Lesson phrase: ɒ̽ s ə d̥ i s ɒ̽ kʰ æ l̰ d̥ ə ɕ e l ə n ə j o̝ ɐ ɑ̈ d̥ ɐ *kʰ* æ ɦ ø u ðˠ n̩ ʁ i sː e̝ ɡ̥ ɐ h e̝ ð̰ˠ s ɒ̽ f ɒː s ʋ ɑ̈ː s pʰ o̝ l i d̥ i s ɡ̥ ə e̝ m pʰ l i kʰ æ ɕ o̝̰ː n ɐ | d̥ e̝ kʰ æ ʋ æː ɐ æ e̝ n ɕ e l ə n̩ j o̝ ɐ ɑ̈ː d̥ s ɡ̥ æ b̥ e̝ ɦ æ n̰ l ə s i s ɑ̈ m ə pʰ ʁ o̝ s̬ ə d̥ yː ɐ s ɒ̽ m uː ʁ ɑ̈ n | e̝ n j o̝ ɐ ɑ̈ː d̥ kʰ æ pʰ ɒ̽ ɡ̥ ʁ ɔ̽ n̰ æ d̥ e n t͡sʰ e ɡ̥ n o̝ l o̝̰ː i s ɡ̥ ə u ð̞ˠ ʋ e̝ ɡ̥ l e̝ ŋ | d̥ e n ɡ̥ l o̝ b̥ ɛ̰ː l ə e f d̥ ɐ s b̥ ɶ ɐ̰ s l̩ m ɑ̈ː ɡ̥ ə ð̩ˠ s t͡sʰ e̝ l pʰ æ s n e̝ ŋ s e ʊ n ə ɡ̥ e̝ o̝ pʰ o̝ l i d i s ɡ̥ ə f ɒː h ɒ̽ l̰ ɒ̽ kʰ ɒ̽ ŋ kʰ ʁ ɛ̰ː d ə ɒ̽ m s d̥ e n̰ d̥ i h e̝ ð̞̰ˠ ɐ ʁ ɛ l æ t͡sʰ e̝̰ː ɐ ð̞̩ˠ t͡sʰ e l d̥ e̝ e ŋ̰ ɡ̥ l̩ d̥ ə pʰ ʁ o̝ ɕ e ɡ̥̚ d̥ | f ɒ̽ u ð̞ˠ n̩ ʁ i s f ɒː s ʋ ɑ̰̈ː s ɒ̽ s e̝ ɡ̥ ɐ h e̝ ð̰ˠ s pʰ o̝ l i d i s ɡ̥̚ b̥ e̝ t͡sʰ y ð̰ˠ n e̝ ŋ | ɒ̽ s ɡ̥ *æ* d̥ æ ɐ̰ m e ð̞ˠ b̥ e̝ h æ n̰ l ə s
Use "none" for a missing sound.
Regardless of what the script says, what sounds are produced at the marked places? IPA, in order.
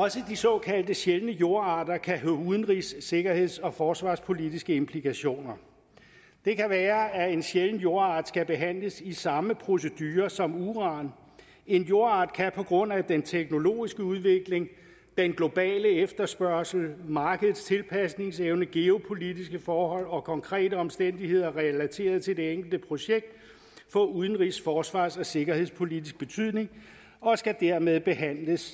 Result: kʰ, æ

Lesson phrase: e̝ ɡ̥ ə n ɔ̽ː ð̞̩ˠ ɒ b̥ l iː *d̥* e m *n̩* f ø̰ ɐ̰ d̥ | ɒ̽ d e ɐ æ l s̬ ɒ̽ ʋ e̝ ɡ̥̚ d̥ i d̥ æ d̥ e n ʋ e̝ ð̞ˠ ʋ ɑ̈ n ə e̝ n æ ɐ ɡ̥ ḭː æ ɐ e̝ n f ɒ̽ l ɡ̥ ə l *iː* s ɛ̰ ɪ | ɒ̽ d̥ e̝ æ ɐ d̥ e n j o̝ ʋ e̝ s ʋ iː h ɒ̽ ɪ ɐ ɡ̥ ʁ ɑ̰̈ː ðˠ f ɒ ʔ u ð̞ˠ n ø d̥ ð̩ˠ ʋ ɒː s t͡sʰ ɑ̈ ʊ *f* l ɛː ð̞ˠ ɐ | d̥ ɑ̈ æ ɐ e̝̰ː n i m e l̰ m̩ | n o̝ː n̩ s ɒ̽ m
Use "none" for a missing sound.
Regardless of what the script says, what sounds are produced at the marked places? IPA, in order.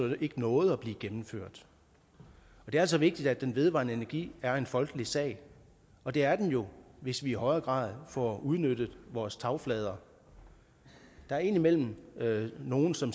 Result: ɡ̥, m̩, i, f

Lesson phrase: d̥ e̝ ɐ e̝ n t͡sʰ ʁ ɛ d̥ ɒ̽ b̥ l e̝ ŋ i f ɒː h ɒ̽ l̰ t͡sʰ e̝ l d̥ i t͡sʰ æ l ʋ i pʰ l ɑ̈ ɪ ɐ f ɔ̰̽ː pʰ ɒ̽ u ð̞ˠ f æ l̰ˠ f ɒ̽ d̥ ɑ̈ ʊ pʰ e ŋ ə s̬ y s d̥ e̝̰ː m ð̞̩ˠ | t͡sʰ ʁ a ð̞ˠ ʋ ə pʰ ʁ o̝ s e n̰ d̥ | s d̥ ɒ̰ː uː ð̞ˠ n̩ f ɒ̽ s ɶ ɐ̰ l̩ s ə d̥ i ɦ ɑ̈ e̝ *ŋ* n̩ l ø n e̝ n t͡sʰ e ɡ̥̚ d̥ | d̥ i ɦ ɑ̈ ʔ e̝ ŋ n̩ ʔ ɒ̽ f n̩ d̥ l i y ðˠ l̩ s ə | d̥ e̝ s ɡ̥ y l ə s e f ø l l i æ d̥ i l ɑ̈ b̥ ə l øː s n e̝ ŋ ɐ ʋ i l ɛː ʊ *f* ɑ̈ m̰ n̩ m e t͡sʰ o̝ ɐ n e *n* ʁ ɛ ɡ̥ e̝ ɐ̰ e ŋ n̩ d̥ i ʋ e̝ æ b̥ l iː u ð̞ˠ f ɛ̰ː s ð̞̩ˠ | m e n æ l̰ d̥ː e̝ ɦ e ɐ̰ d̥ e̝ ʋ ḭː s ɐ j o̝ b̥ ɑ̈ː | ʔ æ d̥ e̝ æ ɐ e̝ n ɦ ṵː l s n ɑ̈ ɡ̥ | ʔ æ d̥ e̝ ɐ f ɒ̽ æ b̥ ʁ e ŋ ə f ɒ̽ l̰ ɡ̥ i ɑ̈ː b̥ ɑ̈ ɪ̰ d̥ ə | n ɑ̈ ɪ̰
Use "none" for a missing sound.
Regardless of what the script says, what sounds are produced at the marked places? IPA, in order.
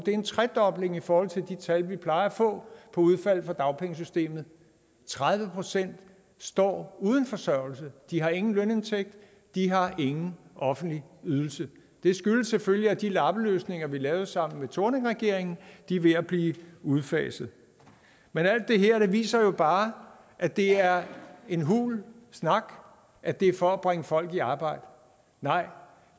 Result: ŋ, s, ŋ

